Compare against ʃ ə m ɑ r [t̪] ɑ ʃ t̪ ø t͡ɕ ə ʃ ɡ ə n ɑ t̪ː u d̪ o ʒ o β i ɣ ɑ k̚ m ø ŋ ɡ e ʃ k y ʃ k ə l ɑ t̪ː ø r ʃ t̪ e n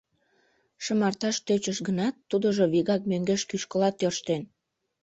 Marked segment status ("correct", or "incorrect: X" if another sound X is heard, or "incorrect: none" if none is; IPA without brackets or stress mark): correct